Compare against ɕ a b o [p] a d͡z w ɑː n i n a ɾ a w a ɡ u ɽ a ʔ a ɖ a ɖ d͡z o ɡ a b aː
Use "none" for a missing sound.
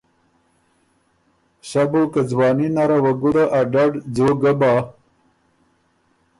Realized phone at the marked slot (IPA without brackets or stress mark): k